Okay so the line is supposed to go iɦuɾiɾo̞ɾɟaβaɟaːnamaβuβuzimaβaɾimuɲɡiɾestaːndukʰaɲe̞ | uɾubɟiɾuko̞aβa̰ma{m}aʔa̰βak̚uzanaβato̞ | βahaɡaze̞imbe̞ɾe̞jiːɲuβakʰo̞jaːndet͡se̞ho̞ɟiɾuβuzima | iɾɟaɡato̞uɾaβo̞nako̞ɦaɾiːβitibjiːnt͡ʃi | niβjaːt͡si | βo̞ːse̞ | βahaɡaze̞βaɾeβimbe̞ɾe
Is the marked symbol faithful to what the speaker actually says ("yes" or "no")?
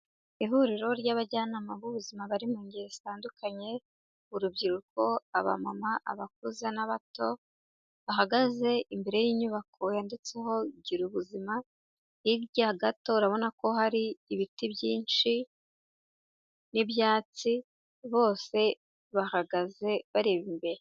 yes